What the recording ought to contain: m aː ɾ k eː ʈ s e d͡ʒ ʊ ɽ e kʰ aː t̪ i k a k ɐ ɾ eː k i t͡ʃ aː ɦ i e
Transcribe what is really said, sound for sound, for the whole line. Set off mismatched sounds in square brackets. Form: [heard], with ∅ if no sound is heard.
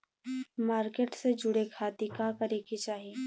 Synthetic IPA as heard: m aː ɾ k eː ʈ s e d͡ʒ ʊ ɽ e kʰ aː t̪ i k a k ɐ ɾ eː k i t͡ʃ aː ɦ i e